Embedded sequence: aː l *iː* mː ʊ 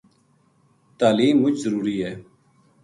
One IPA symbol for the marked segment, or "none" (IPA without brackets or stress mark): iː